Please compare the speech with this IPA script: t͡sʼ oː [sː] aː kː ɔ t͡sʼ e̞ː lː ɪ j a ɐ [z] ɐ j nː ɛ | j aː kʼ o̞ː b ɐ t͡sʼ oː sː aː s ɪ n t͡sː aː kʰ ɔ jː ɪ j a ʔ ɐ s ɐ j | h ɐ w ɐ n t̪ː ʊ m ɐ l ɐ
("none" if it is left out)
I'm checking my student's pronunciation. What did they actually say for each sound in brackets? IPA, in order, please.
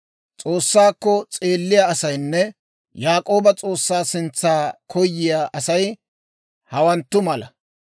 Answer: sː, s

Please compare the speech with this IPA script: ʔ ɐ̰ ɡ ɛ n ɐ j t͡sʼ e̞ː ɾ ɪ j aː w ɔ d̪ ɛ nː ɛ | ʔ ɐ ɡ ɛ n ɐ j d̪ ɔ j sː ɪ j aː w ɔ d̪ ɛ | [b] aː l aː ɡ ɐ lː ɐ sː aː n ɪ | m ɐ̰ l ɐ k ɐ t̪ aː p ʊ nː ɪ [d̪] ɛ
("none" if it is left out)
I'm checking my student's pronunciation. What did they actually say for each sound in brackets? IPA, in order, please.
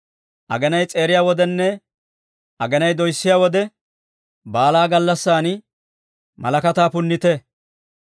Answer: b, t̪

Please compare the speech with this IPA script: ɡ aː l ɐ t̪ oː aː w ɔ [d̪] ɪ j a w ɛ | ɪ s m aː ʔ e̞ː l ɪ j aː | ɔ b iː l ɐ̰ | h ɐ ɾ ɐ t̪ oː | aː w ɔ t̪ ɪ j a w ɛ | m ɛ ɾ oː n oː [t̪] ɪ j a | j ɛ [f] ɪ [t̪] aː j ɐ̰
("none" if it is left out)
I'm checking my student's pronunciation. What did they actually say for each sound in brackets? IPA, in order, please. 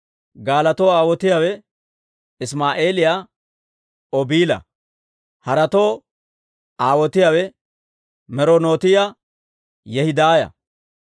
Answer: t̪, t̪, h, d̪

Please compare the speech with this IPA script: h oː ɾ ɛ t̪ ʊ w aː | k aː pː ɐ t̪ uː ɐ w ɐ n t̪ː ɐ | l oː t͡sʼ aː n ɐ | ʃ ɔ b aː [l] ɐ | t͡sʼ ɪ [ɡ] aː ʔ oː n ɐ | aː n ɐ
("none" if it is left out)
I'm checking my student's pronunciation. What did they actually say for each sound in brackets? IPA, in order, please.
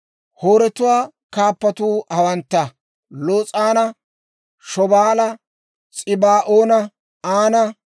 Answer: l, b

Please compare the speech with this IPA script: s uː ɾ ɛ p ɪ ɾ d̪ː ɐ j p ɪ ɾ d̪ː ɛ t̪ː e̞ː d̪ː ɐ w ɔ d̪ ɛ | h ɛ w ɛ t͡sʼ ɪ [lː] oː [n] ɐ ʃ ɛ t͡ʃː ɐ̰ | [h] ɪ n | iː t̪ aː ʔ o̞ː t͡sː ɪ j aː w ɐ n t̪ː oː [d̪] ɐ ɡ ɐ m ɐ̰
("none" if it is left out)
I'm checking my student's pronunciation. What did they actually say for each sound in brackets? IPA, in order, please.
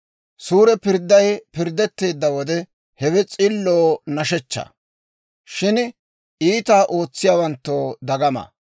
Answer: lː, n, ʃ, d̪

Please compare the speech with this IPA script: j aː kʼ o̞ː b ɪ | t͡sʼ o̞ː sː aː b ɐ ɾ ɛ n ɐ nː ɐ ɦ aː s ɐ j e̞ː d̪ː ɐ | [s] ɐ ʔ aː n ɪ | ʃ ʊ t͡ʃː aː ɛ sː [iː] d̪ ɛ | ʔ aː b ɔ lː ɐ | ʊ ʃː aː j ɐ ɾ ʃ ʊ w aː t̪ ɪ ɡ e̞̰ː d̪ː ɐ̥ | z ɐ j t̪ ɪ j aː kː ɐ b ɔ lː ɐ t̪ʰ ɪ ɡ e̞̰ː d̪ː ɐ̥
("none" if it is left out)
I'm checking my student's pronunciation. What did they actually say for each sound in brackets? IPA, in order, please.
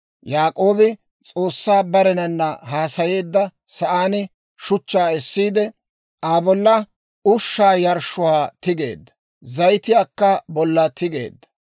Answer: s, iː

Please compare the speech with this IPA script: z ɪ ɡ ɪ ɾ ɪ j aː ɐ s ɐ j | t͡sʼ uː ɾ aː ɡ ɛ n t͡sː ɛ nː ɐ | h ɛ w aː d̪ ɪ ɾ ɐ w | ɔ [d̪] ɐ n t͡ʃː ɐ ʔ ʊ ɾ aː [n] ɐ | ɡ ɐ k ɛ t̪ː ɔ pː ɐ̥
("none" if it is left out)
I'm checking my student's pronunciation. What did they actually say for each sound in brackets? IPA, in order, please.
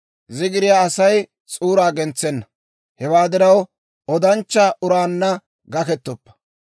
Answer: d̪, nː

